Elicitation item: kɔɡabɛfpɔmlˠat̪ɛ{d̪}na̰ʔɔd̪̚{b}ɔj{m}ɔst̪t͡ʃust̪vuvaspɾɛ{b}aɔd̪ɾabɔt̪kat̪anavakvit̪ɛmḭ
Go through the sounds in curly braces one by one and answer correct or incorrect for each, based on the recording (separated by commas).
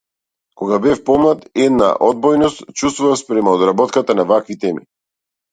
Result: correct, correct, incorrect, incorrect